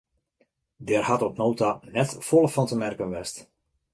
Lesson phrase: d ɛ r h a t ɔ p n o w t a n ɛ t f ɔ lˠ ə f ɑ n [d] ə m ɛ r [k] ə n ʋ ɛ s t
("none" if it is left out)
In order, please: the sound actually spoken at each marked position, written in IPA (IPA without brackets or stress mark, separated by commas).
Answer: t, k